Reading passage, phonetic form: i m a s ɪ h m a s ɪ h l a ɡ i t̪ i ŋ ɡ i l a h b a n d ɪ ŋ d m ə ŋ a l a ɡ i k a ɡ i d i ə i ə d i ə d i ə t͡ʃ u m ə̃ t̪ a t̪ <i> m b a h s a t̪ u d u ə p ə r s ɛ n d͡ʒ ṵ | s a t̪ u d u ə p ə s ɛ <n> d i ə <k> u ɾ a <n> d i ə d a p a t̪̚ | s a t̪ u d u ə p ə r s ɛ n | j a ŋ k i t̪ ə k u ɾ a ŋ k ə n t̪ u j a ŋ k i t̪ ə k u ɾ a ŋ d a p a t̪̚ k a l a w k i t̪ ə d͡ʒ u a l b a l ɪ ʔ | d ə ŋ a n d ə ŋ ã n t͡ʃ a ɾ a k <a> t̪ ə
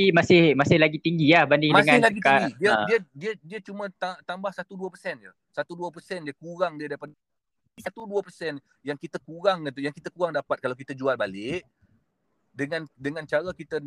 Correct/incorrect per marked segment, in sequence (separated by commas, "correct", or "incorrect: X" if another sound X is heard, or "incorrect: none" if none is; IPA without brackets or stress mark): incorrect: a, correct, correct, incorrect: ŋ, incorrect: i